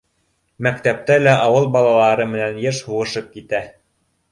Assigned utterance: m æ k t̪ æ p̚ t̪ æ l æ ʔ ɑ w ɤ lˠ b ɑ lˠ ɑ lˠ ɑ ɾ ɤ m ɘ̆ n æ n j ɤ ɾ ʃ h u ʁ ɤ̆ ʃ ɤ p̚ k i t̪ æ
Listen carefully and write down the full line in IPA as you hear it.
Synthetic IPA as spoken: m æ k t̪ æ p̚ t̪ æ l æ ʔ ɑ w ɤ lˠ b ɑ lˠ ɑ lˠ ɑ ɾ ɤ m ɘ̆ n æ n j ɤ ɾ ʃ h u ʁ ɤ̆ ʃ ɤ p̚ k i t̪ æ